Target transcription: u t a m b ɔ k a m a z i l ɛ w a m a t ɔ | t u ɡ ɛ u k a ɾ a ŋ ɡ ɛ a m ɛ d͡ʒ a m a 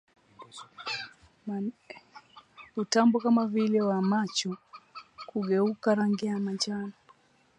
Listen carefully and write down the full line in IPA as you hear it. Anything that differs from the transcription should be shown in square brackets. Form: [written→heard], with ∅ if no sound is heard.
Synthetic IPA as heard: u t a m b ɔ k a m a [z→v] i l ɛ w a m a [t→t͡ʃ] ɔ | [t→k] u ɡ ɛ u k a ɾ a ŋ ɡ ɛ a m [ɛ→a] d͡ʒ a [m→n] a